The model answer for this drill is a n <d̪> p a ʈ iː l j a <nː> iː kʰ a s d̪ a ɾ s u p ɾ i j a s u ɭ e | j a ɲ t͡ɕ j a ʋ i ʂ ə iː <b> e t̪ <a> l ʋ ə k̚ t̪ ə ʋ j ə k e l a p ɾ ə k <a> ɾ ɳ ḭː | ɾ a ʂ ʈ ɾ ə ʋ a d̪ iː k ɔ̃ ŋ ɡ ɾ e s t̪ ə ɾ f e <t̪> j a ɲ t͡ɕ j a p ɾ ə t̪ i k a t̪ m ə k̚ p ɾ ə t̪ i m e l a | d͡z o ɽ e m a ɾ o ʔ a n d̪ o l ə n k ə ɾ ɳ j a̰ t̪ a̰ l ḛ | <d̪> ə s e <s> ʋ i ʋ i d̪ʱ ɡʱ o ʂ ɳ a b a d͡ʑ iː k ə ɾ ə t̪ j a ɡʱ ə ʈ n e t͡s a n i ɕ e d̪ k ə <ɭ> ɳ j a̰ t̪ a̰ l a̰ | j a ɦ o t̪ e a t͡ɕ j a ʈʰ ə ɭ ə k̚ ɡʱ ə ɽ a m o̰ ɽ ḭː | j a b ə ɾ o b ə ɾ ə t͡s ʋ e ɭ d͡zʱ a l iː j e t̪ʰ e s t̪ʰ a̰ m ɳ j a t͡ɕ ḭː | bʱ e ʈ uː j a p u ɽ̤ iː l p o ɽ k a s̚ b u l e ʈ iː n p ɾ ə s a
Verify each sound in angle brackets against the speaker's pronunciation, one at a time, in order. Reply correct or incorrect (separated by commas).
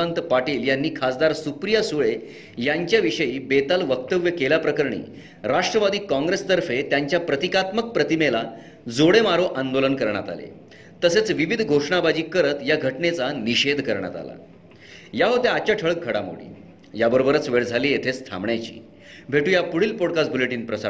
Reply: incorrect, correct, correct, correct, incorrect, correct, incorrect, incorrect, incorrect